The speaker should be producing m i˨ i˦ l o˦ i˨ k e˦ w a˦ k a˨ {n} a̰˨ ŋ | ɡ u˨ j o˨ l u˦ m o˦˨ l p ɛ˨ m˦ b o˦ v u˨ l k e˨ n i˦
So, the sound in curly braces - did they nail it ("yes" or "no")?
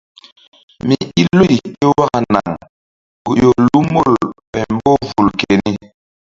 yes